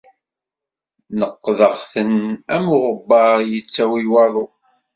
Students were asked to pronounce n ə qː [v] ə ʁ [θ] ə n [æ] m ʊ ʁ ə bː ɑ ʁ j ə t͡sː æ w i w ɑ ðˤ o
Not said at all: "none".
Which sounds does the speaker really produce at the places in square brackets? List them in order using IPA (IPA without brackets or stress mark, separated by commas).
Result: ð, θ, æ